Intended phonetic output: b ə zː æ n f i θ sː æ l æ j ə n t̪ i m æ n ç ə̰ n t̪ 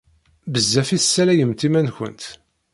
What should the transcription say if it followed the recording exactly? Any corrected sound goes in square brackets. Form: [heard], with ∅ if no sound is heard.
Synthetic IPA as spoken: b ə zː æ [∅] f i θ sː æ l æ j ə [m] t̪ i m æ n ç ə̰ n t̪